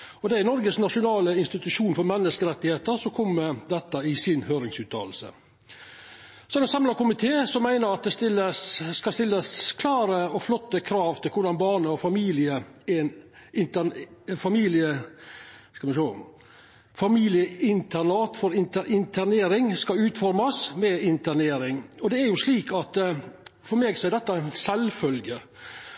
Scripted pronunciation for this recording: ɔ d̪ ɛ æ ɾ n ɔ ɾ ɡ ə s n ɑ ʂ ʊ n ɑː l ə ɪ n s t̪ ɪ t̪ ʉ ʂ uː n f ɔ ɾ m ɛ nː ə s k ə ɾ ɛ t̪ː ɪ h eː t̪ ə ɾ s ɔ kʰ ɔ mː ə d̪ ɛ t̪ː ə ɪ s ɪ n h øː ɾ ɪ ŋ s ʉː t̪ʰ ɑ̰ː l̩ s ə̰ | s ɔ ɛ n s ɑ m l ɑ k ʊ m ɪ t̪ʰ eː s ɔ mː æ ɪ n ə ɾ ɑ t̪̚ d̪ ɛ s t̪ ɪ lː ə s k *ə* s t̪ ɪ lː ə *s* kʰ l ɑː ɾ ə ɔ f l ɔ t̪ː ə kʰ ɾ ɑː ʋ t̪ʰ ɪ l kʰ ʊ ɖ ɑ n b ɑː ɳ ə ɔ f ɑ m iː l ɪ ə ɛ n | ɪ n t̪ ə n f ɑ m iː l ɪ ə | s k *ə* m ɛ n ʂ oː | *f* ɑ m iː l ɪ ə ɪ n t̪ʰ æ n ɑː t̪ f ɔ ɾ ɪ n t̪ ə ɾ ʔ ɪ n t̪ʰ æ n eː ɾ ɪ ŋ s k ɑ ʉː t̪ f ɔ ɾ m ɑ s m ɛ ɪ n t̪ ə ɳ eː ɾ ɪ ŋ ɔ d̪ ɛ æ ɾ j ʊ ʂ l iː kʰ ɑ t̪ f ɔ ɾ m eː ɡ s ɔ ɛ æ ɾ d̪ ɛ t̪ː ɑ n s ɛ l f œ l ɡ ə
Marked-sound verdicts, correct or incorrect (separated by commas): incorrect, correct, incorrect, correct